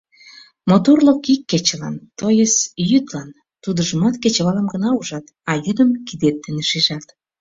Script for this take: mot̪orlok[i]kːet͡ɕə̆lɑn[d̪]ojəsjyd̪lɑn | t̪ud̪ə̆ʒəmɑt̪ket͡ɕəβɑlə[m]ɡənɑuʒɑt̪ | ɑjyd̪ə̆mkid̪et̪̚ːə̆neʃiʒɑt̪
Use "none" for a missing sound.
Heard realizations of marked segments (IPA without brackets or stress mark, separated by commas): i, t̪, m